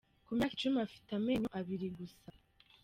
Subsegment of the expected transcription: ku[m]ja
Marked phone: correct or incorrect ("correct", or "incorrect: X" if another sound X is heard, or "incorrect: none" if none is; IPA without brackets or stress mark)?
correct